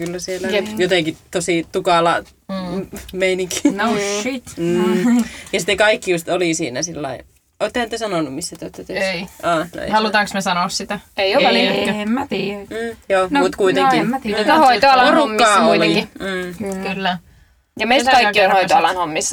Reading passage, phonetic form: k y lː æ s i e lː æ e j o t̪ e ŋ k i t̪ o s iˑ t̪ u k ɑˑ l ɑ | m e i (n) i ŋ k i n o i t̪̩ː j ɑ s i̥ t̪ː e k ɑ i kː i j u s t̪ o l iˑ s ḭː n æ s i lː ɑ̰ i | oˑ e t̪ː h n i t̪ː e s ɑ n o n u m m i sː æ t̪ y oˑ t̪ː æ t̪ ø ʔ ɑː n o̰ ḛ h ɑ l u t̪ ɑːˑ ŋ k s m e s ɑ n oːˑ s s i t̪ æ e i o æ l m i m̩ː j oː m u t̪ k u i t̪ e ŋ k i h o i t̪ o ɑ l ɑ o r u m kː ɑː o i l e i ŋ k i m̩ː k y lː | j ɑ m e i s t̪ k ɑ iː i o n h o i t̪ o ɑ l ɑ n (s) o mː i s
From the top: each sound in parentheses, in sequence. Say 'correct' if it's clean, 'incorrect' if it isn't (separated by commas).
correct, incorrect